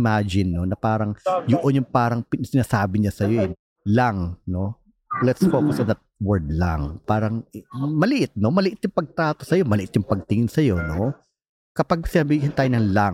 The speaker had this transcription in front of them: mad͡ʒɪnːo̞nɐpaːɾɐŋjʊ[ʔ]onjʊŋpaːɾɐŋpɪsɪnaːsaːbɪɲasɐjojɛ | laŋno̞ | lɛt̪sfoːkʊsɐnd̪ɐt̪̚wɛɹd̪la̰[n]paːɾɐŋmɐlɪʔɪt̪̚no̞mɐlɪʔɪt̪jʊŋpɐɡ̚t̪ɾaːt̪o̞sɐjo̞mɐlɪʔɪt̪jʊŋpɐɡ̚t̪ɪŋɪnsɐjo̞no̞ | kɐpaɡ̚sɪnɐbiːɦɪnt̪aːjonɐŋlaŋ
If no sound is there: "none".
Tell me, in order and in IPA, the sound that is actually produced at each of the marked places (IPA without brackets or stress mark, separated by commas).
ʔ, ŋ